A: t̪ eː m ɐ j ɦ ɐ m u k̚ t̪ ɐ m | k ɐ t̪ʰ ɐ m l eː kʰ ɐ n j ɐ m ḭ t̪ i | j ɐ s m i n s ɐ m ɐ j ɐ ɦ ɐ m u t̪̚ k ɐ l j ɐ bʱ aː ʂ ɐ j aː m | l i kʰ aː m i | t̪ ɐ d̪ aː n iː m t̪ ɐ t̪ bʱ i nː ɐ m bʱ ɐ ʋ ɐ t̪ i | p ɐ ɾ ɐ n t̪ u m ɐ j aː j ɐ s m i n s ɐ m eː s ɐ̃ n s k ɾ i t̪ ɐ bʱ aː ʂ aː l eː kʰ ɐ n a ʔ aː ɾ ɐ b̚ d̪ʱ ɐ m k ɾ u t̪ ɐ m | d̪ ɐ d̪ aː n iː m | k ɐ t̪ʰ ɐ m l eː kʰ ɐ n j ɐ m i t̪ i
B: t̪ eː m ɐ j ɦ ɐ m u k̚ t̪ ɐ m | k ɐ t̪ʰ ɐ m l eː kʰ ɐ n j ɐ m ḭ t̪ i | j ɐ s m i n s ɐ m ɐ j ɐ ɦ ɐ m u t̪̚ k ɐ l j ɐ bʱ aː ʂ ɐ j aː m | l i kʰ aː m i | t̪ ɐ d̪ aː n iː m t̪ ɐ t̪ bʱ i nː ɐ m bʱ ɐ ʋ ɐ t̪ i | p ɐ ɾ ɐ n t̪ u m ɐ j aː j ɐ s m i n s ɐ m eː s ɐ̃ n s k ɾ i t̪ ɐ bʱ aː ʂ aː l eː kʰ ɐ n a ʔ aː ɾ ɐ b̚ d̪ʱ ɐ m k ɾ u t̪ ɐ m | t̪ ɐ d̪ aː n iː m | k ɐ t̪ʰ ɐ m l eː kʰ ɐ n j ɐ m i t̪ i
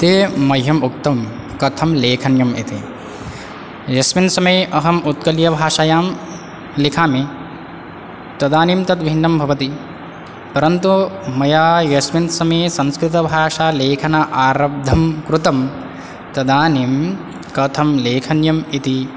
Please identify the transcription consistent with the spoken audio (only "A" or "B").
B